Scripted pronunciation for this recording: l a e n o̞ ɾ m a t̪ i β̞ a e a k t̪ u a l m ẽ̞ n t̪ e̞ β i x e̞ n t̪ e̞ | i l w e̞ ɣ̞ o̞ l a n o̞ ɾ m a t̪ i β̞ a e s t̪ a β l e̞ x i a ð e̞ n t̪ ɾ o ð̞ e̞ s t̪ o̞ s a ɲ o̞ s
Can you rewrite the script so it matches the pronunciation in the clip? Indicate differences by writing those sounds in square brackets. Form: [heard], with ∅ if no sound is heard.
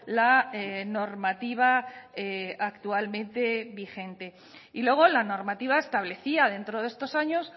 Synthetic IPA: l a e n o̞ ɾ m a t̪ i β̞ a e a k t̪ u a l m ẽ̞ n t̪ e̞ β i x e̞ n t̪ e̞ | i l w e̞ ɣ̞ o̞ l a n o̞ ɾ m a t̪ i β̞ a e s t̪ a β l e̞ [θ] i a ð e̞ n t̪ ɾ o ð̞ e̞ s t̪ o̞ s a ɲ o̞ s